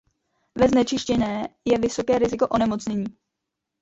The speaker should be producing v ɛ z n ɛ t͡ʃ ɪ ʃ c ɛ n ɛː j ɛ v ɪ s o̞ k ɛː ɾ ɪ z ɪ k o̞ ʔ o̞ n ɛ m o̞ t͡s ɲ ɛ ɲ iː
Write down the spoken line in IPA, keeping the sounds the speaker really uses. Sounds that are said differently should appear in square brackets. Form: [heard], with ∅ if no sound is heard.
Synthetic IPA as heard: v ɛ z n ɛ t͡ʃ ɪ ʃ c ɛ n ɛː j ɛ v ɪ s o̞ k ɛː ɾ ɪ z ɪ k o̞ ʔ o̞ n ɛ m o̞ t͡s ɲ ɛ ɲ iː